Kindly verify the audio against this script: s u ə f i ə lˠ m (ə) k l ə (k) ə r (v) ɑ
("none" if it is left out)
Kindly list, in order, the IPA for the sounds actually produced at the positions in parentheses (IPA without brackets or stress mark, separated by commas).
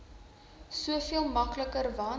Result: ɐ, k, v